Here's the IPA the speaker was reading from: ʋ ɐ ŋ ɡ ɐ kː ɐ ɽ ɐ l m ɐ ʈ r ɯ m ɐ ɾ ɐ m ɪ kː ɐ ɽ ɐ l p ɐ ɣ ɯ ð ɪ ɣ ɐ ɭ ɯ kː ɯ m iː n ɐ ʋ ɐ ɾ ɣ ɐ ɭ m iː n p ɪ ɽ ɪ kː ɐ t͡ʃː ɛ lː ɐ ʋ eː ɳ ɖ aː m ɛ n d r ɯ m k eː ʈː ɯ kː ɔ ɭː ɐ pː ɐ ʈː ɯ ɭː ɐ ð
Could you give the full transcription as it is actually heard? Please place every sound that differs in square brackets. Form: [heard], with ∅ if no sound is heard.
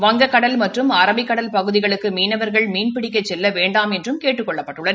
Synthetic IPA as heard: ʋ ɐ ŋ ɡ ɐ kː ɐ ɽ ɐ l m ɐ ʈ r ɯ m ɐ ɾ ɐ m ɪ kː ɐ ɽ ɐ l p ɐ ɣ ɯ ð ɪ ɣ ɐ ɭ ɯ kː ɯ m iː n ɐ ʋ ɐ ɾ ɣ ɐ ɭ m iː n p ɪ ɽ ɪ kː ɐ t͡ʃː ɛ lː ɐ ʋ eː ɳ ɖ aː m ɛ n d r ɯ m k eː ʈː ɯ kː ɔ ɭː ɐ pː ɐ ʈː ɯ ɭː ɐ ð